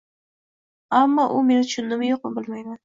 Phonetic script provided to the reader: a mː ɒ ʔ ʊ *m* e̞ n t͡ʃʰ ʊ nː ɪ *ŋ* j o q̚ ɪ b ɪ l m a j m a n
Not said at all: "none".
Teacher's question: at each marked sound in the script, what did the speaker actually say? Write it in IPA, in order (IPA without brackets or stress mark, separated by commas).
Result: m, m